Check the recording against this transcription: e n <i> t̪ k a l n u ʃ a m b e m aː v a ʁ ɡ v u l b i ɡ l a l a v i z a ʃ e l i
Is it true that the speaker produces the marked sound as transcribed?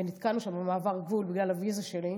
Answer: yes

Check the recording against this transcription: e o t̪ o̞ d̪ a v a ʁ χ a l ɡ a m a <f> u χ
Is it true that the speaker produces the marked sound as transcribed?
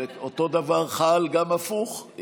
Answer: yes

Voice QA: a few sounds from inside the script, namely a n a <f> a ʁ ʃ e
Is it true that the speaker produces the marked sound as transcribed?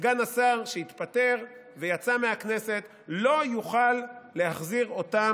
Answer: no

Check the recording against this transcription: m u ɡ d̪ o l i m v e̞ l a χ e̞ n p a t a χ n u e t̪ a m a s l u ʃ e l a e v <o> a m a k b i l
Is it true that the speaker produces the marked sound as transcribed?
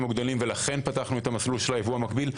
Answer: no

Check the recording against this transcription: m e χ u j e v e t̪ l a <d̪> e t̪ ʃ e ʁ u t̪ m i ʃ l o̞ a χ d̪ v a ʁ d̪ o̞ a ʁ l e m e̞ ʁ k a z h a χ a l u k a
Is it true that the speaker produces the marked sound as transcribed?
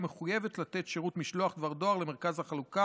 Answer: no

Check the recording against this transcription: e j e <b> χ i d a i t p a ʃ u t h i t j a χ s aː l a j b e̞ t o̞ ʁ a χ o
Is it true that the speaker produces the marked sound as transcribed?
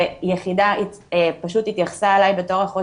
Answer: no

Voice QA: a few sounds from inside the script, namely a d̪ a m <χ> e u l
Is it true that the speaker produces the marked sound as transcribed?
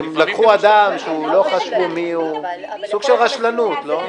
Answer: no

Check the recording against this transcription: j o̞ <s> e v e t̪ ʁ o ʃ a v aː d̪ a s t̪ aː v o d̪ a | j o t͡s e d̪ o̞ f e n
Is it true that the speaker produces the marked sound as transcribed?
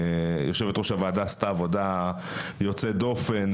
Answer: no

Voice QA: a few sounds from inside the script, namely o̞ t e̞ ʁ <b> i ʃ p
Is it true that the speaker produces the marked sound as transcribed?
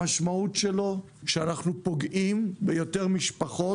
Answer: no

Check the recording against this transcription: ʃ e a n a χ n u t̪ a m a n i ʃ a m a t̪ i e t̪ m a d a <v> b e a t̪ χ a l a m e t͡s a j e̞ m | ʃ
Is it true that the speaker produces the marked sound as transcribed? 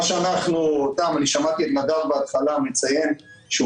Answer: yes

